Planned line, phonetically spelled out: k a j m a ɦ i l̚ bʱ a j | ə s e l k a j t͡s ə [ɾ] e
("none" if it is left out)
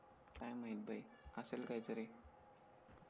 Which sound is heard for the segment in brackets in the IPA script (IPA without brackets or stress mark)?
ɾ